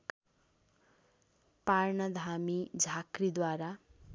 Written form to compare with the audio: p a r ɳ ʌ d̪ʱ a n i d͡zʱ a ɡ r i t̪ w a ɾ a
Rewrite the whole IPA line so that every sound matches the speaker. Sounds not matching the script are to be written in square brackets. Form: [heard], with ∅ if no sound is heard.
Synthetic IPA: p a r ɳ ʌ d̪ʱ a [m] i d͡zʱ a [k] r i [d̪] w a ɾ a